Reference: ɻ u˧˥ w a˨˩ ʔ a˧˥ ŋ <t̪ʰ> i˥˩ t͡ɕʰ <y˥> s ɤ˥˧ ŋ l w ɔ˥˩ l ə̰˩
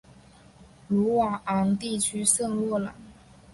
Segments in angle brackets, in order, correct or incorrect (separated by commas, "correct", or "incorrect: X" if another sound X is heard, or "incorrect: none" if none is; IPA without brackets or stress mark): incorrect: t̪, correct